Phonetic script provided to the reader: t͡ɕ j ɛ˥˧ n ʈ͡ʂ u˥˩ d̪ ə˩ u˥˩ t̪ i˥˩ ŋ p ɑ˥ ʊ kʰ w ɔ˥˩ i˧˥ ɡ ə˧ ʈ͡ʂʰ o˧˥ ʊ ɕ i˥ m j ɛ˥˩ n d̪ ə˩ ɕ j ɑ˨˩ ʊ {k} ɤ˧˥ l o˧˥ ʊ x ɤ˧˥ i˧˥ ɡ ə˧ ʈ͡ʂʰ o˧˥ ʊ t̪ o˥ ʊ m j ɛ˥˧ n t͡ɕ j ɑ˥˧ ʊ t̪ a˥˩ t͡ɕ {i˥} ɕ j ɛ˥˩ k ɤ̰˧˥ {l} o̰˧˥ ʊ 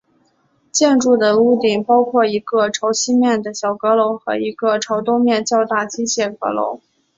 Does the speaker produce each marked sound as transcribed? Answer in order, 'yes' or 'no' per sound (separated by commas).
yes, yes, yes